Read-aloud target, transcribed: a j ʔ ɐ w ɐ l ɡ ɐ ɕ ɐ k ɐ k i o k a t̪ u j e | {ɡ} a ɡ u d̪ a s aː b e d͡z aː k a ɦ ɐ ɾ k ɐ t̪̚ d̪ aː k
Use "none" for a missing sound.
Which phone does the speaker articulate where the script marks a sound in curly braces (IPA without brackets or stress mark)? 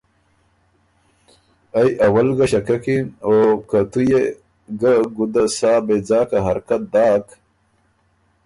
ɡ